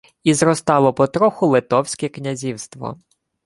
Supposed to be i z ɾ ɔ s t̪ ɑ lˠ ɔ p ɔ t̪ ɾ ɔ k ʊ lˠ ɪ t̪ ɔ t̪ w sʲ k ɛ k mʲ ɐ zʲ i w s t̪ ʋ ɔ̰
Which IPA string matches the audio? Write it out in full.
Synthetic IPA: i z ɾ ɔ s t̪ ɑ lˠ ɔ p ɔ t̪ ɾ ɔ x ʊ lˠ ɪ t̪ ɔ w sʲ k ɛ k nʲ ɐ zʲ i w s t̪ ʋ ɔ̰